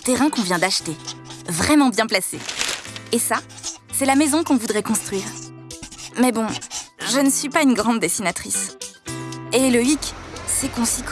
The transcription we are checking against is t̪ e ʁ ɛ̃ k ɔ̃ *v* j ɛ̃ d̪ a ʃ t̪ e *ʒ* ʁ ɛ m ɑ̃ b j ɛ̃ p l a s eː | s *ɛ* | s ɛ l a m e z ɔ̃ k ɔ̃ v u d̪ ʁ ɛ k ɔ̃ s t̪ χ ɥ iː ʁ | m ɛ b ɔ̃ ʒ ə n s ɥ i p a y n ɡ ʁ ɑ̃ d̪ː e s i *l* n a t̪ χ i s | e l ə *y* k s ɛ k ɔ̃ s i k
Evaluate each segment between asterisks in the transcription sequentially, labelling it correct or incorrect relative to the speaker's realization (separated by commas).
correct, incorrect, incorrect, incorrect, incorrect